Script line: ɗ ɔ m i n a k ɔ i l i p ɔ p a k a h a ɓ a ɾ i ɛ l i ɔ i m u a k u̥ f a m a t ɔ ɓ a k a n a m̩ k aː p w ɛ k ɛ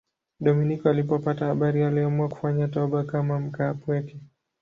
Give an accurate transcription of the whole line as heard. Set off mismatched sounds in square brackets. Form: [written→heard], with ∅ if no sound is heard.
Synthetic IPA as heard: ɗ ɔ m i n [a→i] k ɔ [i→a] l i p ɔ p a [k→t] a h a ɓ a ɾ i [ɛ→a] l i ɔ [i→a] m u a k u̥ f a [m→ɲ] a t ɔ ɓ a k a [n→m] a m̩ k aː p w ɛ k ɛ